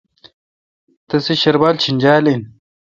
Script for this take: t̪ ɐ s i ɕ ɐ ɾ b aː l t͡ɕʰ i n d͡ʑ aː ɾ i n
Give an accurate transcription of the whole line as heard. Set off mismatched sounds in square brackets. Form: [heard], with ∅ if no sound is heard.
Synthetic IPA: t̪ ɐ s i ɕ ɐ ɾ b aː l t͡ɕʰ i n d͡ʑ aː [l] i n